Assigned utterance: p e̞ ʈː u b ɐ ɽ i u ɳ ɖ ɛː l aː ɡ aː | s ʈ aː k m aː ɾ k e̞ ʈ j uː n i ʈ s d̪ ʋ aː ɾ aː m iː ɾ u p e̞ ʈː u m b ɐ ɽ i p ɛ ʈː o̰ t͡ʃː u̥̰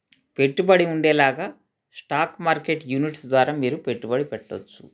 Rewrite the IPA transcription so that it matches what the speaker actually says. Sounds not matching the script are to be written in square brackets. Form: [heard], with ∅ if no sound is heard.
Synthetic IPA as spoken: p e̞ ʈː u b ɐ ɽ i u ɳ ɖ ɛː l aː ɡ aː | s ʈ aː k m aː ɾ k e̞ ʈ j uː n i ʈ s d̪ ʋ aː ɾ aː m iː ɾ u p e̞ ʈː u [∅] b ɐ ɽ i p ɛ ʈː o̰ t͡ʃː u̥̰